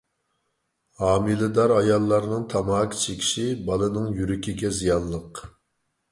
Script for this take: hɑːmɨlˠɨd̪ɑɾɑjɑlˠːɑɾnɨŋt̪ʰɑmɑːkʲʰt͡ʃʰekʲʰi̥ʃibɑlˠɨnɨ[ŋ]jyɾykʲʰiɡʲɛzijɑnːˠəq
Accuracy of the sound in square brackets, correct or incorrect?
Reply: correct